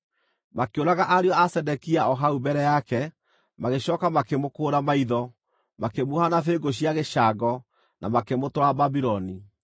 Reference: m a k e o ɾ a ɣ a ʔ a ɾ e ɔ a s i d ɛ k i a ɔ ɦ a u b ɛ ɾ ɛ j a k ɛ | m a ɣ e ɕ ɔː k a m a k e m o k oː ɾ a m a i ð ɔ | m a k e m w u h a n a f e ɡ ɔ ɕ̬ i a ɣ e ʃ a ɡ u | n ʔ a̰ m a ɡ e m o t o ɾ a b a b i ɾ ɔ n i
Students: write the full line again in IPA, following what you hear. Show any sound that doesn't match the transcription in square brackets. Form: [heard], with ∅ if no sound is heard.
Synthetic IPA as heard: m a k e o ɾ a ɣ a ʔ a ɾ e ɔ a s [ɛ] d ɛ k i a ɔ ɦ a u b ɛ ɾ ɛ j a k ɛ | m a ɣ e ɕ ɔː k a m a k e m o k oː ɾ a m a i ð ɔ | m a k e m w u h a n a f e ɡ [o] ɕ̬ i a ɣ e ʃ a ɡ [ɔ] | n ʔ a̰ m a [k] e m o t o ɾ a b a b i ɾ ɔ n i